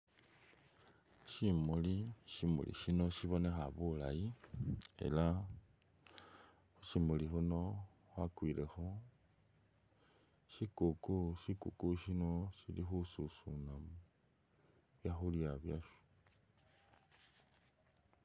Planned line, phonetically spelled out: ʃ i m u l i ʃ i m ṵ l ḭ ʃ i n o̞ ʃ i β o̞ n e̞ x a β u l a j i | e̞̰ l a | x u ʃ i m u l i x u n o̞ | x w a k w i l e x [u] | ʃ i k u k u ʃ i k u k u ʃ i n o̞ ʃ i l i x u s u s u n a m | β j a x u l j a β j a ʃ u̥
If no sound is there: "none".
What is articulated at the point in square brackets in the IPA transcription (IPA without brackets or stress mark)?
o